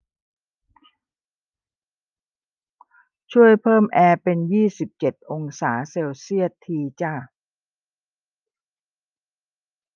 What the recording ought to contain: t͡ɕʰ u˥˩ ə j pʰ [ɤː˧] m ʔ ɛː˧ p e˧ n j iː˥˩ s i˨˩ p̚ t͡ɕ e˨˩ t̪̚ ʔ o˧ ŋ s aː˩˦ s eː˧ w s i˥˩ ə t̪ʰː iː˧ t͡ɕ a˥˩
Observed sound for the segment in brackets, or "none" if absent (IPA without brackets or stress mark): ɤː˥˩